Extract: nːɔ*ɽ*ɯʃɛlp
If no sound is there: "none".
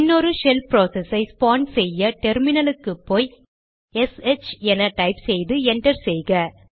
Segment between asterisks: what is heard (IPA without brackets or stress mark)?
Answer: ɾ